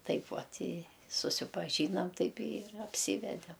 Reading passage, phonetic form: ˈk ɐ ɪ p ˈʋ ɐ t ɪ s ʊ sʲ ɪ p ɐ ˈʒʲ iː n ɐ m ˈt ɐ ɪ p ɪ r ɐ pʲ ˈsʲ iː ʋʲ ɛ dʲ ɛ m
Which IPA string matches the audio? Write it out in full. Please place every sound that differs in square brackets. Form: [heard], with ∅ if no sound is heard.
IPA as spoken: [ˈt] ɐ ɪ p ˈʋ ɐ t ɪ s ʊ sʲ ɪ p ɐ ˈʒʲ iː n ɐ m ˈt ɐ ɪ p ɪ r ɐ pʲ ˈsʲ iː ʋʲ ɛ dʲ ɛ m